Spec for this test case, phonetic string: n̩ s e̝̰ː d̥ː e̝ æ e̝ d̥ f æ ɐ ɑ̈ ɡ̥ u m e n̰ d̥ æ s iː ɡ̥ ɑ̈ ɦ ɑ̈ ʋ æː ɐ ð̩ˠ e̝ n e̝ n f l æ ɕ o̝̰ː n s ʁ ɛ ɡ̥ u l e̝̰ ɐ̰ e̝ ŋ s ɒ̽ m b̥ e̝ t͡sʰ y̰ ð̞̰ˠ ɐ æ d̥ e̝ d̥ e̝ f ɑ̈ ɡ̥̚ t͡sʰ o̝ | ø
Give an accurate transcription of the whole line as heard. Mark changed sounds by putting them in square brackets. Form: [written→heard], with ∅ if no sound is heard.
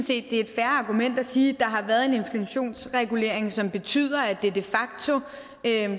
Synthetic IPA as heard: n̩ s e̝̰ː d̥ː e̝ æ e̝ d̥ f æ ɐ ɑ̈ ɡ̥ u m e n̰ d̥ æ s iː [ɡ̥→d̥] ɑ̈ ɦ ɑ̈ ʋ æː ɐ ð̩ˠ e̝ n e̝ n f l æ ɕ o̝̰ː n s ʁ ɛ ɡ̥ u l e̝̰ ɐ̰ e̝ ŋ s ɒ̽ m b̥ e̝ t͡sʰ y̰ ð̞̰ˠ ɐ æ d̥ e̝ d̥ e̝ f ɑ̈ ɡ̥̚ t͡sʰ o̝ | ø